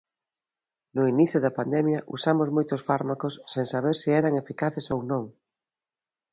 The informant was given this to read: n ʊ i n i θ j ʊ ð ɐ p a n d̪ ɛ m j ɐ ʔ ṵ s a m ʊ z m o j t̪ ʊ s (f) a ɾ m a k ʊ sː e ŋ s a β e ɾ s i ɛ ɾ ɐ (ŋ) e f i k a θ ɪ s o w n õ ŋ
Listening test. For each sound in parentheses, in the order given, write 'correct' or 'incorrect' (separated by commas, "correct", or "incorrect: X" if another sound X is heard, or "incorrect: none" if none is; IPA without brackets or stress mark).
correct, correct